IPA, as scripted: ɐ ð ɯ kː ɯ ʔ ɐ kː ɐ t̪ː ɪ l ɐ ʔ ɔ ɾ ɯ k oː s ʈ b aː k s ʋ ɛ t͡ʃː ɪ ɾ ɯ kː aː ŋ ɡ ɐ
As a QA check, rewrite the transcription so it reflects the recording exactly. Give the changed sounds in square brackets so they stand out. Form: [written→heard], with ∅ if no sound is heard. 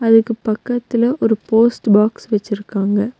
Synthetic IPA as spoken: ɐ ð ɯ kː ɯ [ʔ→p] ɐ kː ɐ t̪ː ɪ l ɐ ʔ ɔ ɾ ɯ [k→p] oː s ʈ b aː k s ʋ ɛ t͡ʃː ɪ ɾ ɯ kː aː ŋ ɡ ɐ